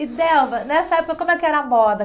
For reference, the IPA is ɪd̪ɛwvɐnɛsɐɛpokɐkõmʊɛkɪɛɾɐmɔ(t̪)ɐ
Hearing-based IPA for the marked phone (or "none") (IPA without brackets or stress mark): d̪